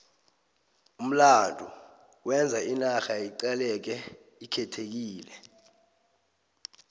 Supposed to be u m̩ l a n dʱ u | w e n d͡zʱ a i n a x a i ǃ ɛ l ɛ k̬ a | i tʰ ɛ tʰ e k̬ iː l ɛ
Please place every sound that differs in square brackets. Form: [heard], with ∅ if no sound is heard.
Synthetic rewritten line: u m̩ l a n dʱ u | w [ɛ] n d͡zʱ a i n a x a i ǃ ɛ l ɛ k̬ [ɛ] | i [kʰ] ɛ tʰ e k̬ iː l ɛ